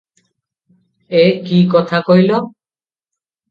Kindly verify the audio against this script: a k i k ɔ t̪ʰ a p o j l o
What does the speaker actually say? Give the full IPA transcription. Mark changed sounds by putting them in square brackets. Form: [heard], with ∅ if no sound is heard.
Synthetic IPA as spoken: [e] k i k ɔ t̪ʰ a [k] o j l o

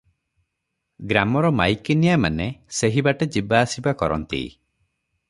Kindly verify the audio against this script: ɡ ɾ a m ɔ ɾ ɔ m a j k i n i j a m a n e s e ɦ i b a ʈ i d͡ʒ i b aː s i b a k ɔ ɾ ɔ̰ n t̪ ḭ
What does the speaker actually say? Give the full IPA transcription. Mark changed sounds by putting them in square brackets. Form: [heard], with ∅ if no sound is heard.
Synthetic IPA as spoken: ɡ ɾ a m ɔ ɾ ɔ m a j k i n i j a m a n e s e ɦ i b a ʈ [e] d͡ʒ i b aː s i b a k ɔ ɾ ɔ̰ n t̪ ḭ

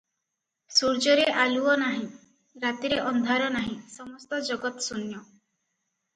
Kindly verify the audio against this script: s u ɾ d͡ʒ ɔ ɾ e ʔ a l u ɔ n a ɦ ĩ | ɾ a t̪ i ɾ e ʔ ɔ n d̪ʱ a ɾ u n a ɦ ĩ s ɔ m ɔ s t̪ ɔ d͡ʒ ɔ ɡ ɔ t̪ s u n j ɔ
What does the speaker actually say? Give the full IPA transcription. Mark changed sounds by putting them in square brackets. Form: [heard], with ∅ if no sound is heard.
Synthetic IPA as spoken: s u ɾ d͡ʒ ɔ ɾ e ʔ a l u ɔ n a ɦ ĩ | ɾ a t̪ i ɾ e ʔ ɔ n d̪ʱ a ɾ [ɔ] n a ɦ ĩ s ɔ m ɔ s t̪ ɔ d͡ʒ ɔ ɡ ɔ t̪ s u n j ɔ

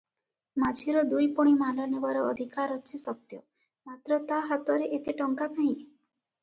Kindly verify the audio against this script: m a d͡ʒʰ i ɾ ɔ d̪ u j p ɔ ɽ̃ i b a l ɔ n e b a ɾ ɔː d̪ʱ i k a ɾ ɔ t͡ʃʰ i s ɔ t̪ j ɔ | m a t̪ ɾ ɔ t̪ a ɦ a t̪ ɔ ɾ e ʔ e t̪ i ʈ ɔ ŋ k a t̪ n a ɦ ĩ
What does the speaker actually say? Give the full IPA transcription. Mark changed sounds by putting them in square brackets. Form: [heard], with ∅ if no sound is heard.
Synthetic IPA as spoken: m a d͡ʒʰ i ɾ ɔ d̪ u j p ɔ ɽ̃ i [m] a l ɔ n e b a ɾ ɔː d̪ʱ i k a ɾ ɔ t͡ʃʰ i s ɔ t̪ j ɔ | m a t̪ ɾ ɔ t̪ a ɦ a t̪ ɔ ɾ e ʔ e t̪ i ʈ ɔ ŋ k a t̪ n a ɦ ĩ

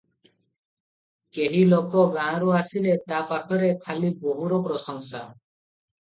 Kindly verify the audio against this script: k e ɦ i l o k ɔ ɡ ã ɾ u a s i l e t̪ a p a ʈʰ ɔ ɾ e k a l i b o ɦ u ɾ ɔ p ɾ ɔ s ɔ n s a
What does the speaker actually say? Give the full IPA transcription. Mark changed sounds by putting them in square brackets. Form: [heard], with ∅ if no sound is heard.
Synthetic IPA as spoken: k e ɦ i l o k ɔ ɡ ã ɾ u a s i l e t̪ a p a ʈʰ ɔ ɾ e [kʰ] a l i b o ɦ u ɾ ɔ p ɾ ɔ s ɔ [ŋ] s a

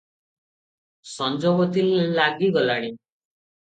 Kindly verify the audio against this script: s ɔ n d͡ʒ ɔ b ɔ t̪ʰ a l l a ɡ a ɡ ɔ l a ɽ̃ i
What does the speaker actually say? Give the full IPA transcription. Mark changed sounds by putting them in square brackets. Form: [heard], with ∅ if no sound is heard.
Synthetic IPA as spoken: s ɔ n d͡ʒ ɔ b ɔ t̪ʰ [i] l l a ɡ [i] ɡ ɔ l a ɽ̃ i

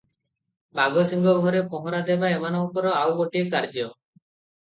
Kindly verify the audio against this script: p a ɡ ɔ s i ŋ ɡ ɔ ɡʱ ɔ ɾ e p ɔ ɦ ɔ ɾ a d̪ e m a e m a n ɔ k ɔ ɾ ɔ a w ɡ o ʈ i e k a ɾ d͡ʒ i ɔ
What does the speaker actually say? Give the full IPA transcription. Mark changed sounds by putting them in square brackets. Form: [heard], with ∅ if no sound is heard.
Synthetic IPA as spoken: [b] a ɡ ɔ s i ŋ ɡ ɔ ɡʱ ɔ ɾ e p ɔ ɦ ɔ ɾ a d̪ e [b] a e m a n ɔ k ɔ ɾ ɔ a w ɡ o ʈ i e k a ɾ d͡ʒ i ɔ

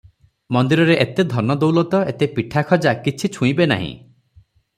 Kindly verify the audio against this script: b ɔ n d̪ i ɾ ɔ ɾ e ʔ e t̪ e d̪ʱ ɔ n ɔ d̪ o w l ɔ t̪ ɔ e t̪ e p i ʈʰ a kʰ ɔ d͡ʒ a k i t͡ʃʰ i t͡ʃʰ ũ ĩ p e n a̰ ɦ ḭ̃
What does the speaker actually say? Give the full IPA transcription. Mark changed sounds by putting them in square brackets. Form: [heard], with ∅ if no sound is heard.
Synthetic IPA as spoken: [m] ɔ n d̪ i ɾ ɔ ɾ e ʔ e t̪ e d̪ʱ ɔ n ɔ d̪ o w l ɔ t̪ ɔ e t̪ e p i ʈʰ a kʰ ɔ d͡ʒ a k i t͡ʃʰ i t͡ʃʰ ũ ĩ [b] e n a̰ ɦ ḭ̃

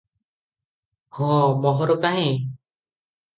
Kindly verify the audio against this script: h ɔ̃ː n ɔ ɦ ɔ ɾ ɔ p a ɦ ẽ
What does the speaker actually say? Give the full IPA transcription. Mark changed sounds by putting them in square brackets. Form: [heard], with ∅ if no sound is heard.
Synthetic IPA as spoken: h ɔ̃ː [m] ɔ ɦ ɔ ɾ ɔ [k] a ɦ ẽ

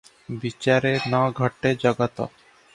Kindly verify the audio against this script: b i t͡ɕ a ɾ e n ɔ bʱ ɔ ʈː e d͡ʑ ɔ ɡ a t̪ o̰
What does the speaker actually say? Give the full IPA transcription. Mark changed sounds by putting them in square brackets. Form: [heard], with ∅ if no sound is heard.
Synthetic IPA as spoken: b i t͡ɕ a ɾ e n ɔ [ɡʱ] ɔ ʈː e d͡ʑ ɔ ɡ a t̪ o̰

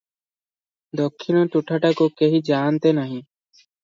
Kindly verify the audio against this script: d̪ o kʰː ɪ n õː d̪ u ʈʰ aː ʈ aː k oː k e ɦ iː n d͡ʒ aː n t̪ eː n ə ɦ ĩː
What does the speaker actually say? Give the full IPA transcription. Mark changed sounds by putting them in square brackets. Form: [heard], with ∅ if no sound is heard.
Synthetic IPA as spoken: d̪ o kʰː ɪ n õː [t̪] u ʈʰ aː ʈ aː k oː k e ɦ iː [∅] d͡ʒ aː n t̪ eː n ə ɦ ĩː

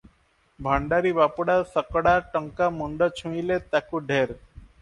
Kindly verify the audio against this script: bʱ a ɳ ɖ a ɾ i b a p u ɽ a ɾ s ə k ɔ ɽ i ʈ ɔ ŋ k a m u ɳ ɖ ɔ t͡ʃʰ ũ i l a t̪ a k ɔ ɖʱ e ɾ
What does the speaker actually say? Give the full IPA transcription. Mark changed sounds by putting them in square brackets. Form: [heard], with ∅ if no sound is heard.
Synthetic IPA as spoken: bʱ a ɳ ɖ a ɾ i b a p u ɽ a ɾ s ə k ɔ ɽ [a] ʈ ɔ ŋ k a m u ɳ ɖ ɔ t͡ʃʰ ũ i l [e] t̪ a k [u] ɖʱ e ɾ

